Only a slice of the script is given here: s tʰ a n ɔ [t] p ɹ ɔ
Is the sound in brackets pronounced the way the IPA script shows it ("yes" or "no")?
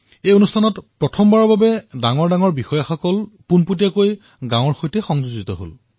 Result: yes